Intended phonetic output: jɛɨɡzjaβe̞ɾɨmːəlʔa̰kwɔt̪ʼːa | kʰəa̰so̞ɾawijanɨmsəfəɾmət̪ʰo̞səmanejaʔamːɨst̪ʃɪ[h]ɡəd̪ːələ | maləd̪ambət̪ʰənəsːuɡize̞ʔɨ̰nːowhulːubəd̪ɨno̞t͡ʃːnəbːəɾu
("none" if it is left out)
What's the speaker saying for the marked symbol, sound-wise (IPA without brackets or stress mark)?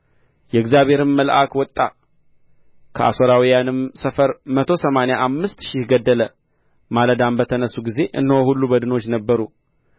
h